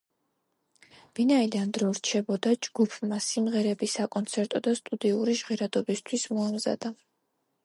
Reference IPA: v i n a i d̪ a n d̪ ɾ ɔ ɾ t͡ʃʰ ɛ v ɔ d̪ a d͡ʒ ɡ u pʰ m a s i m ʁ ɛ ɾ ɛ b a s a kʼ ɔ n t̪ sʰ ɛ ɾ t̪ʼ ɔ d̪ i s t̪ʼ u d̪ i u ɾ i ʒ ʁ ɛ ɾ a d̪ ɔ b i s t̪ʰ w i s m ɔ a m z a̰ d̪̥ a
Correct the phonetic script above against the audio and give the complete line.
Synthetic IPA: v i n a i d̪ a n d̪ ɾ ɔ ɾ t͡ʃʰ ɛ b ɔ d̪ a d͡ʒ ɡ u pʰ m a s i m ʁ ɛ ɾ ɛ b i s a kʼ ɔ n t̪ sʰ ɛ ɾ t̪ʼ ɔ d̪ a s t̪ʼ u d̪ i u ɾ i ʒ ʁ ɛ ɾ a d̪ ɔ b i s t̪ʰ w i s m ɔ a m z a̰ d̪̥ a